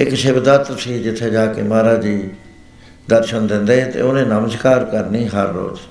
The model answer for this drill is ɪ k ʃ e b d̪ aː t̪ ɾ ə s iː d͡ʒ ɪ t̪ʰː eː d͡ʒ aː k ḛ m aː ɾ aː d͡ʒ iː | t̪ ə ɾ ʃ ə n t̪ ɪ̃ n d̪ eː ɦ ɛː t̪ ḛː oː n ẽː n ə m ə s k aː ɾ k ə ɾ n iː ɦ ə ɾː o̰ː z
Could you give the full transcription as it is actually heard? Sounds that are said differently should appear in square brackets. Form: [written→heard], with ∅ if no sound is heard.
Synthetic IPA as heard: ɪ k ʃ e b d̪ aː t̪ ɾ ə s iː d͡ʒ ɪ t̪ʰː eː d͡ʒ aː k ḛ m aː ɾ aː d͡ʒ iː | [t̪→d̪] ə ɾ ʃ ə n [t̪→d̪] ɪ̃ n d̪ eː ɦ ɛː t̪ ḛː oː n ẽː n ə m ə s k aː ɾ k ə ɾ n iː ɦ ə ɾː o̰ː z